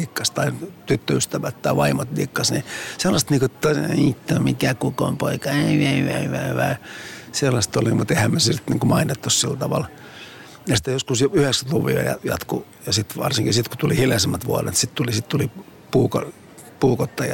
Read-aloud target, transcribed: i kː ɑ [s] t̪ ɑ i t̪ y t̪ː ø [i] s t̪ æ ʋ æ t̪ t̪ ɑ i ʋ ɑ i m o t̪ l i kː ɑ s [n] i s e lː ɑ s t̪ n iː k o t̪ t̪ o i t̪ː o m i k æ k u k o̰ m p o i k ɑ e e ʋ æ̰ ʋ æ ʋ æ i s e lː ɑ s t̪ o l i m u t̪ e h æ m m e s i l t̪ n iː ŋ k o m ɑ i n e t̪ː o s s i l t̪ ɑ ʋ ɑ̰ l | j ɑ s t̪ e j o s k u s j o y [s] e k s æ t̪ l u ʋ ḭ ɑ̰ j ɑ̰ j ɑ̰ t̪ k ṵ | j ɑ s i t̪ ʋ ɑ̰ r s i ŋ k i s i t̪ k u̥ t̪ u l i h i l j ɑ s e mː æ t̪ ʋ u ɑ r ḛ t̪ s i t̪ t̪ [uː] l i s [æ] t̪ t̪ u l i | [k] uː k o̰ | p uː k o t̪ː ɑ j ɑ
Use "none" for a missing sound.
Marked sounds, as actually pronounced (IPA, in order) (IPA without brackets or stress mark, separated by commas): s, y, n, h, u, i, p